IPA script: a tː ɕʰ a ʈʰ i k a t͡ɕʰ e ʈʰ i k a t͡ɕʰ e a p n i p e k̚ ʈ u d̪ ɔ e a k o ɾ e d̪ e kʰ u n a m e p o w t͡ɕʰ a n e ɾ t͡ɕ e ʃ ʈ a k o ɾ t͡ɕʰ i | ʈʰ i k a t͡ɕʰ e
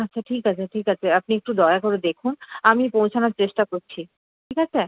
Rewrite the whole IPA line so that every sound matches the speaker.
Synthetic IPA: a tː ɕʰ a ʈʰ i k a t͡ɕʰ e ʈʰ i k a t͡ɕʰ e a p n i e k̚ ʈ u d̪ ɔ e a k o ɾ e d̪ e kʰ u n a m i p o w t͡ɕʰ a n a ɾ t͡ɕ e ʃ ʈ a k o ɾ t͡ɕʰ i | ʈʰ i k a t͡ɕʰ e